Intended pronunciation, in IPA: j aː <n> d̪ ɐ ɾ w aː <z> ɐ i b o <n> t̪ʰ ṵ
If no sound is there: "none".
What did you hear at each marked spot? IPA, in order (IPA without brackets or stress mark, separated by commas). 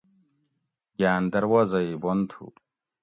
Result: n, z, n